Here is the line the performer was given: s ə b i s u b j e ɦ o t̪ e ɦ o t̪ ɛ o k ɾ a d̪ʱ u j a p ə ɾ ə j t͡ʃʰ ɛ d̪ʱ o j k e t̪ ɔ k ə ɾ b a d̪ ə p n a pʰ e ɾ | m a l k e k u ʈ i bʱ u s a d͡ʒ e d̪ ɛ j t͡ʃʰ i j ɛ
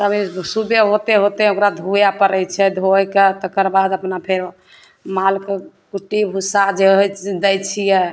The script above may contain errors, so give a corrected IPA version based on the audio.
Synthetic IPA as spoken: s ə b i s u b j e ɦ o t̪ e ɦ o t̪ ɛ o k ɾ a d̪ʱ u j a p ə ɾ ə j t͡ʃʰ ɛ d̪ʱ o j k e t̪ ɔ k ə ɾ b a d̪ ə p n a pʰ e ɾ | m a l k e k u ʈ i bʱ u s a d͡ʒ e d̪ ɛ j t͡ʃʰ i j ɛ